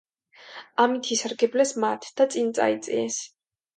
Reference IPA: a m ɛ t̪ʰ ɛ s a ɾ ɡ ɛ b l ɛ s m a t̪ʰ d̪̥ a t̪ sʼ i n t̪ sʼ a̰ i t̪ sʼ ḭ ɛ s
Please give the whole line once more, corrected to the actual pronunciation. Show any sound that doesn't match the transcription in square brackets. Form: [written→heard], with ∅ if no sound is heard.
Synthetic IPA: a m [ɛ→i] t̪ʰ [ɛ→i] s a ɾ ɡ ɛ b l ɛ s m a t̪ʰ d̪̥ a t̪ sʼ i n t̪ sʼ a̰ i t̪ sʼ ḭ ɛ s